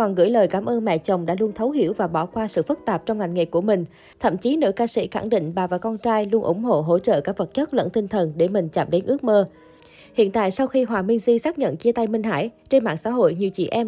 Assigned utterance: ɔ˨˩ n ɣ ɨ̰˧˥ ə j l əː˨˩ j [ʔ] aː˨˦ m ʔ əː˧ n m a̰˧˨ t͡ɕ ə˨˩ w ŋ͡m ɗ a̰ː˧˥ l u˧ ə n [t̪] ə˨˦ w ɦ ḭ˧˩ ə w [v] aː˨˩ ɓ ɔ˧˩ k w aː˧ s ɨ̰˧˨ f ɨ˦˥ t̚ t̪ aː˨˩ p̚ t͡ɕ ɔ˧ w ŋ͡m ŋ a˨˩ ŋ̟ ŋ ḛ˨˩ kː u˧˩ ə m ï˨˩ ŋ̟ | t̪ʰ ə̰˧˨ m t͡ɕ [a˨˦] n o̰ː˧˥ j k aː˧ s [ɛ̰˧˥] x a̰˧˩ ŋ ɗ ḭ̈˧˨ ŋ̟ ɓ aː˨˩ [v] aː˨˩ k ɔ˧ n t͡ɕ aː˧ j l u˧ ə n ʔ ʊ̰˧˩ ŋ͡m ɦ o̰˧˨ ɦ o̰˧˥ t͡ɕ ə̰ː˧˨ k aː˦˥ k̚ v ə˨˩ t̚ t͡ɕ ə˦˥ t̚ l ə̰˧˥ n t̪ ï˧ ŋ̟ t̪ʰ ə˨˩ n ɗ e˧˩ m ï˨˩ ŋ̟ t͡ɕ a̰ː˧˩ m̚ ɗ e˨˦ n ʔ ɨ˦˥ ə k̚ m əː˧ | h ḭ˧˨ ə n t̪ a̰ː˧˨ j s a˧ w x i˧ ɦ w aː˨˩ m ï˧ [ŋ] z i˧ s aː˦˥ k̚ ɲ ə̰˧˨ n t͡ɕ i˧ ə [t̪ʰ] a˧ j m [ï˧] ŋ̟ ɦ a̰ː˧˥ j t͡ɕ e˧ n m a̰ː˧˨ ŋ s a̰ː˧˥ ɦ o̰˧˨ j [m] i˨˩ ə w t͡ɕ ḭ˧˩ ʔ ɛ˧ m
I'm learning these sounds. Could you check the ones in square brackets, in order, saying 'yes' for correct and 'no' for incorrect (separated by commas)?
no, no, yes, no, no, yes, yes, no, yes, no